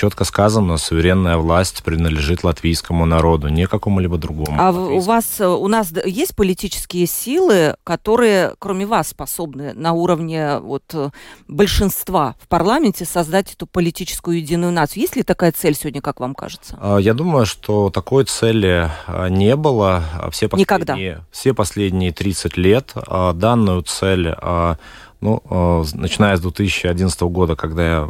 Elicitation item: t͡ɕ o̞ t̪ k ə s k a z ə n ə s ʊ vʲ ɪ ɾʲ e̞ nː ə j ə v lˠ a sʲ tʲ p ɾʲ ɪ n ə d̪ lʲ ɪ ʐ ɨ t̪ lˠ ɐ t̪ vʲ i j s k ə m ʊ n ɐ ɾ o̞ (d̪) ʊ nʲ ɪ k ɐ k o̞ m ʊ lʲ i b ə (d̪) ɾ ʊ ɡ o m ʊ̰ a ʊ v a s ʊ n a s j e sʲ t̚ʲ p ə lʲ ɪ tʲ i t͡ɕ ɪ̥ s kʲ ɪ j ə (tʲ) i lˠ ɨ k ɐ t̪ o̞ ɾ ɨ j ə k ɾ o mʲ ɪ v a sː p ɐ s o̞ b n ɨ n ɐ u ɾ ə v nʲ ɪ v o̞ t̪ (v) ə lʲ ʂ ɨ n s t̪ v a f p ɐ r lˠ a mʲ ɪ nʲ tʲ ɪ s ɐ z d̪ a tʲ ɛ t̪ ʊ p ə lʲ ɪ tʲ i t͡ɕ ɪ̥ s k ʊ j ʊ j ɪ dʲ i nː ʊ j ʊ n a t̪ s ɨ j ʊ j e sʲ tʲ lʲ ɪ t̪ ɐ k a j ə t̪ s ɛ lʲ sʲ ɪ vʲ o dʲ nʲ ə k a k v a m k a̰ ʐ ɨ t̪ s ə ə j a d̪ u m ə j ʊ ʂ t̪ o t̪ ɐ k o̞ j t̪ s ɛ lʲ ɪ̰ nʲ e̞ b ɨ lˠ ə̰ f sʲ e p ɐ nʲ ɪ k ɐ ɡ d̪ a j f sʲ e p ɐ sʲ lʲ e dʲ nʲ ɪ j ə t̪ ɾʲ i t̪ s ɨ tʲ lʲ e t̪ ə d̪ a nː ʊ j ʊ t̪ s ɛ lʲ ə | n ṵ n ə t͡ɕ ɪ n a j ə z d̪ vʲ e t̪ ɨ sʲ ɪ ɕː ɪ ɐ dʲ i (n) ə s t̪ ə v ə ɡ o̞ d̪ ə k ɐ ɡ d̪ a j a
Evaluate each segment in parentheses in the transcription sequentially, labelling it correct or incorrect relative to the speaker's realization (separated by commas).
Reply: correct, correct, incorrect, incorrect, correct